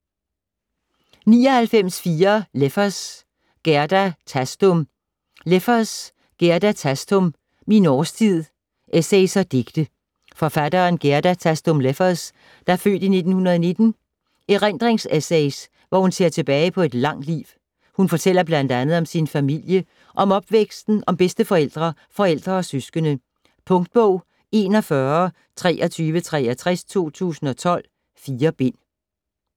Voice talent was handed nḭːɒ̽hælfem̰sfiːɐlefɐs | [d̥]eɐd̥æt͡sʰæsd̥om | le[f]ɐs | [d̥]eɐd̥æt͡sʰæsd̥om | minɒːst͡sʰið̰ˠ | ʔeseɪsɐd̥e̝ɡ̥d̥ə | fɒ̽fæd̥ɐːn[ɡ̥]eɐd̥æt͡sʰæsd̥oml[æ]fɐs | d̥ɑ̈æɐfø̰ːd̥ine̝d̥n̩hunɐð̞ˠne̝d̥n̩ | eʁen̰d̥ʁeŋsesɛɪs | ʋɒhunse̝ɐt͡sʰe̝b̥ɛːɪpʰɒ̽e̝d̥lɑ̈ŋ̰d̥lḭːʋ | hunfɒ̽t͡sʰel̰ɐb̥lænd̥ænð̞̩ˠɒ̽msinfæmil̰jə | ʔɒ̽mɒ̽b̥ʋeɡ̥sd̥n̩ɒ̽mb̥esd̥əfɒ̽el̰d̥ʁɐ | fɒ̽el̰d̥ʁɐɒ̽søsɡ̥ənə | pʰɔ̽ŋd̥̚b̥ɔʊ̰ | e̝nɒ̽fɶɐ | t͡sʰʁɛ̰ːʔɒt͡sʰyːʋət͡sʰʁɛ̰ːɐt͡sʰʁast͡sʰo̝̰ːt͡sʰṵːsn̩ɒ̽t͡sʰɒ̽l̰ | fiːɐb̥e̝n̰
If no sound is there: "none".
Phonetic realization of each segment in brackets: ɡ̥, f, ɡ̥, ɡ̥, e

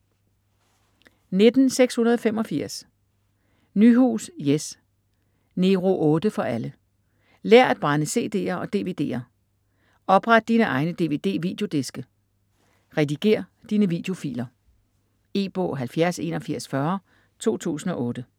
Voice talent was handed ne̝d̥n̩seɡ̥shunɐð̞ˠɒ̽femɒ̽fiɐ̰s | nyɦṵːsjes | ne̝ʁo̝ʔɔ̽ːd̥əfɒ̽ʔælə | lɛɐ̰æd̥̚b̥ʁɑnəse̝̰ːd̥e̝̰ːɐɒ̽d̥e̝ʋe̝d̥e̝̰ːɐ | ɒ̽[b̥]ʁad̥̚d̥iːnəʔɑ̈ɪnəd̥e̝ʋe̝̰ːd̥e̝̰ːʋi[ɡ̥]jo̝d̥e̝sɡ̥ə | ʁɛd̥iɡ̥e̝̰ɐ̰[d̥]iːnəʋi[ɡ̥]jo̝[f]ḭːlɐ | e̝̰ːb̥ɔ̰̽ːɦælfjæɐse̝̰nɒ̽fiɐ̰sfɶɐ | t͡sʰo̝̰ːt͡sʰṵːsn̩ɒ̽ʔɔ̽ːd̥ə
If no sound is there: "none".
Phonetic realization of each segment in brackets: b̥, d̥, d̥, d̥, f

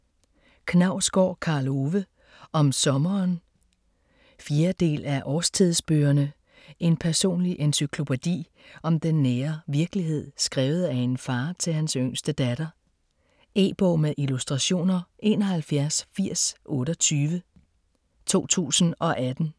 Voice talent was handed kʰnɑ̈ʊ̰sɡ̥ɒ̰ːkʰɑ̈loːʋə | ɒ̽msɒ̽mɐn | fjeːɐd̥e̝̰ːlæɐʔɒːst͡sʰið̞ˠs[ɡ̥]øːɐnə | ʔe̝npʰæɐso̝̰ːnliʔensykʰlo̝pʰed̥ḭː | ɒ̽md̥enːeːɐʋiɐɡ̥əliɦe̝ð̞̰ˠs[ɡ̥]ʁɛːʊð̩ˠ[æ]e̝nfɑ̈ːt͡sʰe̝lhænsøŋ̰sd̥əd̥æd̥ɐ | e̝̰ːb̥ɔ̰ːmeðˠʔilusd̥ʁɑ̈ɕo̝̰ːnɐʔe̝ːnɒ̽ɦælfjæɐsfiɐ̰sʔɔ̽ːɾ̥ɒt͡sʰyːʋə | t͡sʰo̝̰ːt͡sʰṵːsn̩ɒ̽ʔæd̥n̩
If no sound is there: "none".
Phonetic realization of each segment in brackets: b̥, ɡ̥, æ

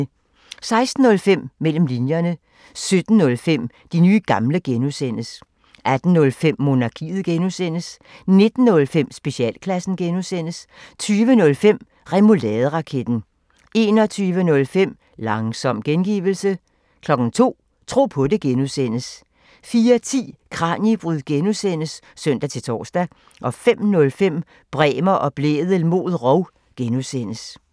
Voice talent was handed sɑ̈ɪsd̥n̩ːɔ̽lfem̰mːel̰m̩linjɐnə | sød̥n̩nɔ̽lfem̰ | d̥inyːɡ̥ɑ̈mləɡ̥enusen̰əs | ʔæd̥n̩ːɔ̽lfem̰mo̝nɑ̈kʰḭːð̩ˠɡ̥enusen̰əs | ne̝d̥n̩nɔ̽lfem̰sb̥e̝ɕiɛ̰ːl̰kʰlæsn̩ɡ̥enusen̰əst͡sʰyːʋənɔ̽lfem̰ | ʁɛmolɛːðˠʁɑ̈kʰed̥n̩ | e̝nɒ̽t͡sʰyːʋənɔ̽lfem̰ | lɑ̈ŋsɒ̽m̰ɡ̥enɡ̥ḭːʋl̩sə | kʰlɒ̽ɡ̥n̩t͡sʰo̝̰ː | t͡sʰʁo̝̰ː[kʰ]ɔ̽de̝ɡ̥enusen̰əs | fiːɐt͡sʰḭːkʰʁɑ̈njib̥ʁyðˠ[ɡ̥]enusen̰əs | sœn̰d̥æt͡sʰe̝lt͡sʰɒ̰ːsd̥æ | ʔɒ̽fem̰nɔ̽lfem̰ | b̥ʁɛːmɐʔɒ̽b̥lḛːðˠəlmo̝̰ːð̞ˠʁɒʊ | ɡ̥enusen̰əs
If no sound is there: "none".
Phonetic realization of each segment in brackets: pʰ, ɡ̥

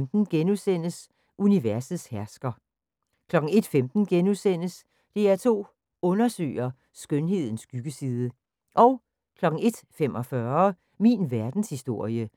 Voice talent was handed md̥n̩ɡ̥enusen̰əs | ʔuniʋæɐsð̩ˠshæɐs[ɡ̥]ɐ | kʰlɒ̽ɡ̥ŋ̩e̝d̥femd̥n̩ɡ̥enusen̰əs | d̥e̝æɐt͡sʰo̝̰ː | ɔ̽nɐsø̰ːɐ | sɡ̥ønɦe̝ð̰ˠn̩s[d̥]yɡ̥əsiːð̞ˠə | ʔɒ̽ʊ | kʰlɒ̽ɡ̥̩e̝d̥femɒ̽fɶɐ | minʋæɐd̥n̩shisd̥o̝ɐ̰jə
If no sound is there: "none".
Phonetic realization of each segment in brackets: ɡ̥, ɡ̥

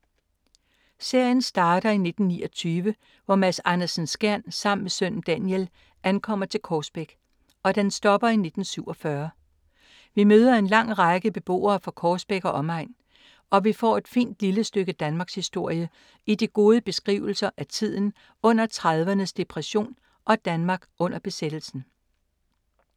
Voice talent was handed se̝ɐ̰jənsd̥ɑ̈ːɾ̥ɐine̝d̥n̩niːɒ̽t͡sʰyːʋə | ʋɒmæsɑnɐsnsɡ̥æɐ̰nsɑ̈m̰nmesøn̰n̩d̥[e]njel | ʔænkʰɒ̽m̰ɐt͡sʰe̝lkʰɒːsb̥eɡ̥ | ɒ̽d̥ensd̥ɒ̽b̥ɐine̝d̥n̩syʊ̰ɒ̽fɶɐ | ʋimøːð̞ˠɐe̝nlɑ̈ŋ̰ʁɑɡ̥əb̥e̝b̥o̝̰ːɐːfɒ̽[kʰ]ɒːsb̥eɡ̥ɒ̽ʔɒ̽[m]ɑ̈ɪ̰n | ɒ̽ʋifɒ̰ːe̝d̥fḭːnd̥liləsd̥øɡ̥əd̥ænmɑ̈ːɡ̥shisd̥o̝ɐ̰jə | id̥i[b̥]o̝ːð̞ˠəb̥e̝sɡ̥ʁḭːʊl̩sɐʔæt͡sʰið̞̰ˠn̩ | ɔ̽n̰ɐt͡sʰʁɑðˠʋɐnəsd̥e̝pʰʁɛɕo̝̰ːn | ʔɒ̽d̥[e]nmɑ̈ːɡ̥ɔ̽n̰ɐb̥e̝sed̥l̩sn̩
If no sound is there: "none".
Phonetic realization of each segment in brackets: æ, kʰ, m, ɡ̥, æ

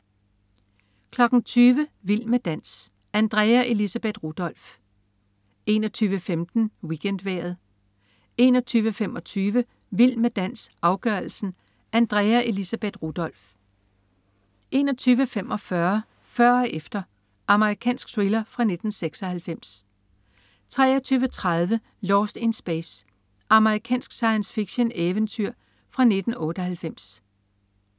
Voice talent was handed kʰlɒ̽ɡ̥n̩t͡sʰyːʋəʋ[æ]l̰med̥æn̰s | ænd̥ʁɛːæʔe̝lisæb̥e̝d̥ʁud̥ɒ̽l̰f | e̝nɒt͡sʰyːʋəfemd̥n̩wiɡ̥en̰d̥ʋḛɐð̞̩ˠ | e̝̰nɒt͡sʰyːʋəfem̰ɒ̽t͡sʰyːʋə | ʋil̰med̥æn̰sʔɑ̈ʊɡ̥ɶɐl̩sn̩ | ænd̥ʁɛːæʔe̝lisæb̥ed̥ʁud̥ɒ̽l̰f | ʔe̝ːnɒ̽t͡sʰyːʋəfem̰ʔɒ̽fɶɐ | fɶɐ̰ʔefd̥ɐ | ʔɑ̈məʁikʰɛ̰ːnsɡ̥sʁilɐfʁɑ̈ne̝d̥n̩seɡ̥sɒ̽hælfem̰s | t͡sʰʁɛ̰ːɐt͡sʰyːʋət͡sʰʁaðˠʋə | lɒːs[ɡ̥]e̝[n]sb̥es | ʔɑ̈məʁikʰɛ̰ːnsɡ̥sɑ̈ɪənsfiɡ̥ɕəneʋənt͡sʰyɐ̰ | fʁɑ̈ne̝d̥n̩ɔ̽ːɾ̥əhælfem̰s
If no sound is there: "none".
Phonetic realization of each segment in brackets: i, d̥, n

